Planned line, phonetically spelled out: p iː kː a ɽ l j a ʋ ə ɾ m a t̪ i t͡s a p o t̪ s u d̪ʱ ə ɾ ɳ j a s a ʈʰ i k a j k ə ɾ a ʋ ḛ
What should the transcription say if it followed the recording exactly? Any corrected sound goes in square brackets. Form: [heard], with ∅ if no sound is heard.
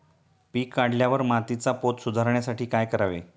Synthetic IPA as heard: p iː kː a ɽ l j a ʋ ə ɾ m a t̪ i t͡s a p o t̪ s u d̪ʱ [a] ɾ ɳ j a s a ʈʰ [iː] k a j k ə ɾ a ʋ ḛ